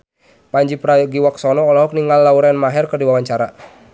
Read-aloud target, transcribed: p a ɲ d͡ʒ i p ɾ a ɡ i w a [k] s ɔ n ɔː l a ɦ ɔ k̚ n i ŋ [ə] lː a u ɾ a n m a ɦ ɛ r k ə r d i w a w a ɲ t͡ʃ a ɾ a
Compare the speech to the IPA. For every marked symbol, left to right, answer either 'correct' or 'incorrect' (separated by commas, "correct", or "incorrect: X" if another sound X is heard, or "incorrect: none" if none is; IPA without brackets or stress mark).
correct, incorrect: a